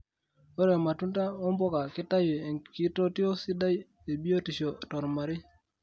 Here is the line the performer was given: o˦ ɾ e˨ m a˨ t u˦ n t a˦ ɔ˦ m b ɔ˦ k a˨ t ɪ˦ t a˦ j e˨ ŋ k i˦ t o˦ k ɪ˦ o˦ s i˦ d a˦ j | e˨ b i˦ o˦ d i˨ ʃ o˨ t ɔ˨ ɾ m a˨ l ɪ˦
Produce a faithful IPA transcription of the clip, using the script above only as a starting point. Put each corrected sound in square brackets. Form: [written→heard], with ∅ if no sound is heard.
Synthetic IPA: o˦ ɾ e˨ m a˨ t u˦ n t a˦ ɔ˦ m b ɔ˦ k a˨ [t→k] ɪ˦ t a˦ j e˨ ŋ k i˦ t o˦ [k→t] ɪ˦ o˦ s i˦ d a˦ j | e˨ b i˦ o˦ [d→t] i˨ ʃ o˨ t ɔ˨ ɾ m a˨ [l→ɾ] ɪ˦